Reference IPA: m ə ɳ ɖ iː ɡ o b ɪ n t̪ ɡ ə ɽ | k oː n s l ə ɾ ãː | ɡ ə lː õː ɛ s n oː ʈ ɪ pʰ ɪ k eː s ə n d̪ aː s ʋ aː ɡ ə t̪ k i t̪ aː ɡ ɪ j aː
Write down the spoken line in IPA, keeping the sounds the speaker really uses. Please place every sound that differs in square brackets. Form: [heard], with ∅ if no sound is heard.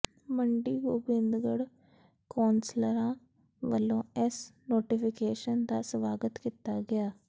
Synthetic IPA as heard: m ə ɳ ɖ iː ɡ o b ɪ n [d̪] ɡ ə ɽ | k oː n s l ə ɾ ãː | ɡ ə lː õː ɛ s n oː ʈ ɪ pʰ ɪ k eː [ʃ] ə n d̪ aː s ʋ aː ɡ ə t̪ k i t̪ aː ɡ ɪ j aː